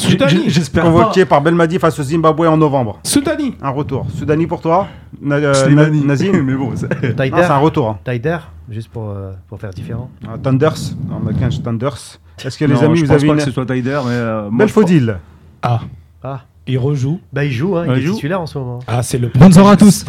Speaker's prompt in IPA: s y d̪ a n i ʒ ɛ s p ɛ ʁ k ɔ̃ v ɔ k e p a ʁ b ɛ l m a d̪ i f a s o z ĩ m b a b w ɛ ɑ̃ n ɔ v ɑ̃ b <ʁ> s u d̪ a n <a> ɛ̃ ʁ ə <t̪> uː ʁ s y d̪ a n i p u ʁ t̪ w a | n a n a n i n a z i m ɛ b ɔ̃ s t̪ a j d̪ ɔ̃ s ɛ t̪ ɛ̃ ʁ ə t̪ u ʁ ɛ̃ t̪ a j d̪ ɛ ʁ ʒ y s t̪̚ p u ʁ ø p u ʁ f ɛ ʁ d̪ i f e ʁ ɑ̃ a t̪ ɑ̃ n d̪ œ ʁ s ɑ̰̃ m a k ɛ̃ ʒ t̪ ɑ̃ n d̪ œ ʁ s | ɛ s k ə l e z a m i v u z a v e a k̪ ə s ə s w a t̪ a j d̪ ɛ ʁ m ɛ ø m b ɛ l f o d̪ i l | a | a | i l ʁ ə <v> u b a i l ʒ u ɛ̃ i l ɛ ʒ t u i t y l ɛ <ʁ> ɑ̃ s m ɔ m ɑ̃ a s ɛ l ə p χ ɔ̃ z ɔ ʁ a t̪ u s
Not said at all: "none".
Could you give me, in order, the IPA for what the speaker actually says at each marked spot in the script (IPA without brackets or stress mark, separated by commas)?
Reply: ʁ, i, t̪, ʒ, ʁ